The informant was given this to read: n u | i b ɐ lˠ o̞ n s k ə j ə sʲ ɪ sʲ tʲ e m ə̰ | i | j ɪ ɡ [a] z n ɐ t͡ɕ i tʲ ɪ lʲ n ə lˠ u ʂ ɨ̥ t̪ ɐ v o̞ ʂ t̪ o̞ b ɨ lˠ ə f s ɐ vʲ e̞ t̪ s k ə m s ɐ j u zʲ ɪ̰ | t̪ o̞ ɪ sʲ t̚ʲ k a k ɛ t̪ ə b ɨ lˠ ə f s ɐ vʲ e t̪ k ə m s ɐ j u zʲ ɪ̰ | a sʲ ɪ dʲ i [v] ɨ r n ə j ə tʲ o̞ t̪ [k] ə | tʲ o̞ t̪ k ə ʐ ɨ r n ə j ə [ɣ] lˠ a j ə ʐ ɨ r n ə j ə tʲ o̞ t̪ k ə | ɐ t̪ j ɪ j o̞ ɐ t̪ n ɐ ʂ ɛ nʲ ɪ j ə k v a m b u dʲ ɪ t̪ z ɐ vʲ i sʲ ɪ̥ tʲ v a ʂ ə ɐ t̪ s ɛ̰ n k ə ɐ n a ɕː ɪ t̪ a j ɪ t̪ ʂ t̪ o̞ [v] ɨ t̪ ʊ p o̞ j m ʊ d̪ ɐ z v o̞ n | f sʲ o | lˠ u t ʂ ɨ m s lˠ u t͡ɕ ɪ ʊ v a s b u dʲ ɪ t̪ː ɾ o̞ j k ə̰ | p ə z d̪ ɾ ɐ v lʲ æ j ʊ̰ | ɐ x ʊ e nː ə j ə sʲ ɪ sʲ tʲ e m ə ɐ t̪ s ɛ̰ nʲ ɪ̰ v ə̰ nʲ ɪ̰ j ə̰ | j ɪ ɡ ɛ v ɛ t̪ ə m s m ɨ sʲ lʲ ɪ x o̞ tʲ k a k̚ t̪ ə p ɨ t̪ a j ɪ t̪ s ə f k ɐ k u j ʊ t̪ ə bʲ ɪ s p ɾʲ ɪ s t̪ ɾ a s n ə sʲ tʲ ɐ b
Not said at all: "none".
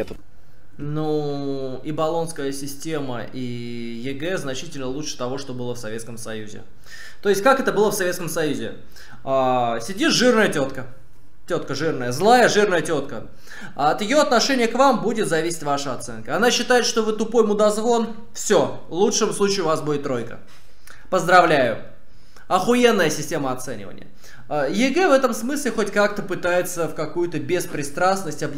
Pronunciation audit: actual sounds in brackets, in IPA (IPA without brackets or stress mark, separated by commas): ɛ, ʐ, k, z, v